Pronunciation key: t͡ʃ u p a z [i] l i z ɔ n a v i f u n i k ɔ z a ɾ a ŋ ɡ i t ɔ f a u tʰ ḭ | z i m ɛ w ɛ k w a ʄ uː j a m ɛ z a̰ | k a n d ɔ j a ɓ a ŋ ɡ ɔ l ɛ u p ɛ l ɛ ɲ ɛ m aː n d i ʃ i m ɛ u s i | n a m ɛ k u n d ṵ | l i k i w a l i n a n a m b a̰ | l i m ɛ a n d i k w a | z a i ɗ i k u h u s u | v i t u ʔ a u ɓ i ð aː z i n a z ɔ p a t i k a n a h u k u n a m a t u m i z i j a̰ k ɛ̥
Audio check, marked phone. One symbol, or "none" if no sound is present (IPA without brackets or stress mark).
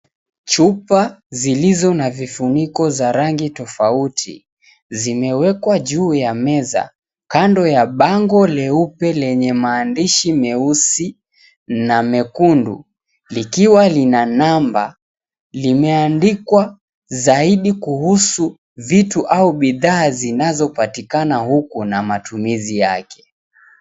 i